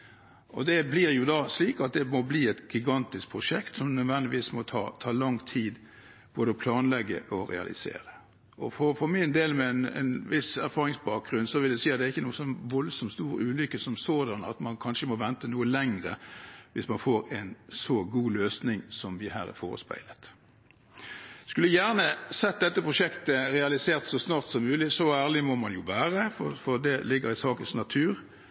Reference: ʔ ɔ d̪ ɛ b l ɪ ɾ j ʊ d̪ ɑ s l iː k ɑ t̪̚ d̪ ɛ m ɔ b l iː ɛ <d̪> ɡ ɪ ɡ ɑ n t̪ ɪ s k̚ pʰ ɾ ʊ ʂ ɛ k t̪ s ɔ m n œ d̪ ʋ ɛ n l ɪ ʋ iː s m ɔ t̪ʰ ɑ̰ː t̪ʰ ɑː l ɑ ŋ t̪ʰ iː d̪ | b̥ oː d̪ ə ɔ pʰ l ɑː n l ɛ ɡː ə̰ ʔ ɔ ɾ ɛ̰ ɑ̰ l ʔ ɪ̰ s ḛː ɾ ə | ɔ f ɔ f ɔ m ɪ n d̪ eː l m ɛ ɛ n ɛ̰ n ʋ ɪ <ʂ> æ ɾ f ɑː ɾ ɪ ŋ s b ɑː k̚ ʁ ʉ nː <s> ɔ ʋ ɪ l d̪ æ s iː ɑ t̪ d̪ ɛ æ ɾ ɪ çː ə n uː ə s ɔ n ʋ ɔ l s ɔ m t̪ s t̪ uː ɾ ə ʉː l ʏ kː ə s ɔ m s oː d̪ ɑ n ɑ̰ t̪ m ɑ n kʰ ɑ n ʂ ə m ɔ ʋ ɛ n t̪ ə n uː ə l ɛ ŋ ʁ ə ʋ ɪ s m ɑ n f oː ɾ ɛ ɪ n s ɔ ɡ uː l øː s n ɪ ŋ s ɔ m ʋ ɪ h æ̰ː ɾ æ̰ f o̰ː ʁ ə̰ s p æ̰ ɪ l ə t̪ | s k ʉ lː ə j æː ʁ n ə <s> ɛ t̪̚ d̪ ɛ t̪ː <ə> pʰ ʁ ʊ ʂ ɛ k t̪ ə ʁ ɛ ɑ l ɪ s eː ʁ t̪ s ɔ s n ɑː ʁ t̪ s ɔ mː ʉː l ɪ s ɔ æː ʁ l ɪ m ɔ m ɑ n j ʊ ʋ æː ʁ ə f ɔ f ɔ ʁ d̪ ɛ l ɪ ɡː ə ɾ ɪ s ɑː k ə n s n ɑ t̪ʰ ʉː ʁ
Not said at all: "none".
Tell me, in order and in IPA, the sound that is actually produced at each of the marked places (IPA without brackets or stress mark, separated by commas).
t̪, s, s, s, ə